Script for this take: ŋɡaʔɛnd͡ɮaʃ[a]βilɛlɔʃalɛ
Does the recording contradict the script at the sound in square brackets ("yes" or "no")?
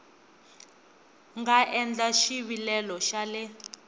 yes